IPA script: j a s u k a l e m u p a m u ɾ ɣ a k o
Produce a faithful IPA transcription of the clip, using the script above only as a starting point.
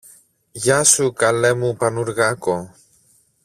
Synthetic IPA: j a s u k a l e m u p a n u ɾ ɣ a k o